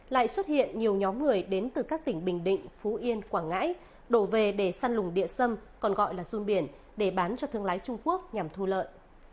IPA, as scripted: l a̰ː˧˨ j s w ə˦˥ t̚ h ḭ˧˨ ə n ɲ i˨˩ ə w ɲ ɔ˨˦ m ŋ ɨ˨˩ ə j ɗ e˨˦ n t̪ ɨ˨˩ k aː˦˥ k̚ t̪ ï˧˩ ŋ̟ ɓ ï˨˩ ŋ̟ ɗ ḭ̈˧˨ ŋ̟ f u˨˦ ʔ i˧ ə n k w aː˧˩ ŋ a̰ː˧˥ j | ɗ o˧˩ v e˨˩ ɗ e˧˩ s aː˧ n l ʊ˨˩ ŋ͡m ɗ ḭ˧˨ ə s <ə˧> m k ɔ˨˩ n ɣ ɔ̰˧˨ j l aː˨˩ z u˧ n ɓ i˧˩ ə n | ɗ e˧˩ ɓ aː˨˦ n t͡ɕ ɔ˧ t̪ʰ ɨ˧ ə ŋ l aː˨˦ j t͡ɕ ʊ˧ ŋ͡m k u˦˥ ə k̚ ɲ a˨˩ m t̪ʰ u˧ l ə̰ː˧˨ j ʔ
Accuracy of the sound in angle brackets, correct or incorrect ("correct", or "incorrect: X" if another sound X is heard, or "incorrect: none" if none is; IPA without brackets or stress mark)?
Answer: correct